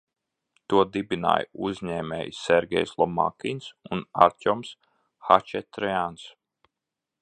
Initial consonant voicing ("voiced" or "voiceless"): voiceless